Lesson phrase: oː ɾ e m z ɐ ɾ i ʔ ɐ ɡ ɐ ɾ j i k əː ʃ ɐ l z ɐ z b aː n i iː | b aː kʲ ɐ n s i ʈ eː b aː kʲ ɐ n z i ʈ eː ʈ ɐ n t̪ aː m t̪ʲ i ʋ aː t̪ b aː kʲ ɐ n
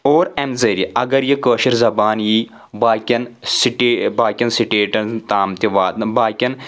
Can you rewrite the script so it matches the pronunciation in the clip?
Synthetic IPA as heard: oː ɾ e m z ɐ ɾ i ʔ ɐ ɡ ɐ ɾ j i k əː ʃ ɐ ɾ z ɐ b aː n j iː | b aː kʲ ɐ n s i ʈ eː b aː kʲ ɐ n s i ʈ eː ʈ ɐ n t̪ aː m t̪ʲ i ʋ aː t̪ b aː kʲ ɐ n